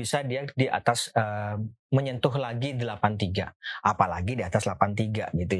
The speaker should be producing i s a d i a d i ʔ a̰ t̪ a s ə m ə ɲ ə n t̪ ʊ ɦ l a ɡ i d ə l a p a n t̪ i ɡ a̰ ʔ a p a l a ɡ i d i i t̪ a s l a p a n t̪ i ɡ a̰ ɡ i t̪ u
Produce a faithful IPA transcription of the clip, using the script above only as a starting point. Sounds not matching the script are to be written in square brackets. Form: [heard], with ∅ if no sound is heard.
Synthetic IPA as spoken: i s a d i a d i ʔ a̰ t̪ a s ə m ə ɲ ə n t̪ ʊ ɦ l a ɡ i d ə l a p a n t̪ i ɡ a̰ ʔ a p a l a ɡ i d i [a] t̪ a s l a p a n t̪ i ɡ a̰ ɡ i t̪ u